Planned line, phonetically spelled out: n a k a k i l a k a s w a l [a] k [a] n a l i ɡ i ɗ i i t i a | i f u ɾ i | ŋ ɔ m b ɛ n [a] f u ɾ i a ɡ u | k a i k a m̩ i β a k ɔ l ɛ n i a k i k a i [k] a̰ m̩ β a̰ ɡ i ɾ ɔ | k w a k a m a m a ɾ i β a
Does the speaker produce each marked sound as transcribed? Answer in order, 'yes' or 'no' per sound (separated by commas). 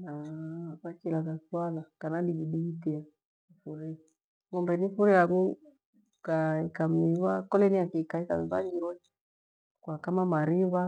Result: yes, yes, no, yes